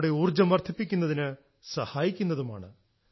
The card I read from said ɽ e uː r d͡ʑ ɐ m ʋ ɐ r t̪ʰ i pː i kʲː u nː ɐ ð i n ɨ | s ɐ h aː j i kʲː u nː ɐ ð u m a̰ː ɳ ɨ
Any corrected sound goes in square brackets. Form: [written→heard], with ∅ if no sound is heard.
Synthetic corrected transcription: ɽ e uː r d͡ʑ ɐ m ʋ ɐ r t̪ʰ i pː i kʲː u nː ɐ ð i n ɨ | s ɐ h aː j i kʲː u nː ɐ ð u m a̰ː ɳ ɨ

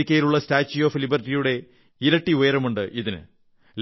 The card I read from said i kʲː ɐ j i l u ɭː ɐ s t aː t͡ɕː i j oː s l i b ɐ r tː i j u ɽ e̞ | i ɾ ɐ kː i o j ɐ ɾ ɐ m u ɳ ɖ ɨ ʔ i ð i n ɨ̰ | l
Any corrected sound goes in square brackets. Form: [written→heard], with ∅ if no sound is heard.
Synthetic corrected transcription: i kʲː ɐ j i l u ɭː ɐ s t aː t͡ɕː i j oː [s→f] l i b ɐ r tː i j u ɽ e̞ | i ɾ ɐ [kː→ʈː] i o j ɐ ɾ ɐ m u ɳ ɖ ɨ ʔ i ð i n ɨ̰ | l

